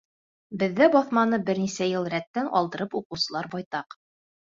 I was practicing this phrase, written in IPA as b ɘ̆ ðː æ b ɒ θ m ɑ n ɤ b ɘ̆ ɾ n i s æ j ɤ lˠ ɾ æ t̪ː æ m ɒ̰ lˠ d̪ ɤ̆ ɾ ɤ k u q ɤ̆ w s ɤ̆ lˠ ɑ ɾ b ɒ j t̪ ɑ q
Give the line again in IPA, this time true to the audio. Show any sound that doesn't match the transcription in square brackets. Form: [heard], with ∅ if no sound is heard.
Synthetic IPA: b ɘ̆ ðː æ b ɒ θ m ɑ n ɤ b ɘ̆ ɾ n i s æ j ɤ lˠ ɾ æ t̪ː æ [n] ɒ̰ lˠ d̪ ɤ̆ ɾ ɤ [p] u q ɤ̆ w s ɤ̆ lˠ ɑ ɾ b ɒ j t̪ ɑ q